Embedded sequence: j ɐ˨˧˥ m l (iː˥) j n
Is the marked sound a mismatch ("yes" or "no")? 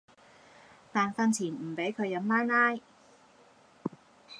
yes